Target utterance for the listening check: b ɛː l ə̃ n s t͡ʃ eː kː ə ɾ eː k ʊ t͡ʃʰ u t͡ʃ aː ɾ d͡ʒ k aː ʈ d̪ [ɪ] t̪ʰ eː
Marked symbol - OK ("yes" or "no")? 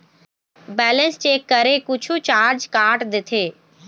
yes